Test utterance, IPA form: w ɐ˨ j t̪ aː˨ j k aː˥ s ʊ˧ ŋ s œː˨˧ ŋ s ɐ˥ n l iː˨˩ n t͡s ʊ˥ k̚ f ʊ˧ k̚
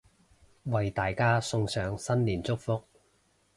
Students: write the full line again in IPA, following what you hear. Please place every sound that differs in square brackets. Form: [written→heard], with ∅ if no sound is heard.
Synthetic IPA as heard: w ɐ˨ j t̪ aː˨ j k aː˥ s ʊ˧ ŋ s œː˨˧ ŋ s ɐ˥ n l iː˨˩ n t͡s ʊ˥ k̚ f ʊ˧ k̚